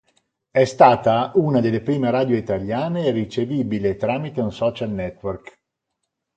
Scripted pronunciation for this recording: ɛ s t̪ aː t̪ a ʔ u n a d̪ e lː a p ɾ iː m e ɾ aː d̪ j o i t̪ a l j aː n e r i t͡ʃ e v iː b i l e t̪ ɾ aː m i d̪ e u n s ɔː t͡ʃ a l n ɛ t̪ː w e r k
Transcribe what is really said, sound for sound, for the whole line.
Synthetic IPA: ɛ s t̪ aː t̪ a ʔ u n a d̪ e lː e p ɾ iː m e ɾ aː d̪ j o i t̪ a l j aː n e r i t͡ʃ e v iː b i l e t̪ ɾ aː m i t̪ e u n s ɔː t͡ʃ a l n ɛ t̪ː w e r k